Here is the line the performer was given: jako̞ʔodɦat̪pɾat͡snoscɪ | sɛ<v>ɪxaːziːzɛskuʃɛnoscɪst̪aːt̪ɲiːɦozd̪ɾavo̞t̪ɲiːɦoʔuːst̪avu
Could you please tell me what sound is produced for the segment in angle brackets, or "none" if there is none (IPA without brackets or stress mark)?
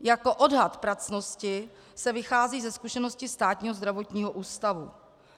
v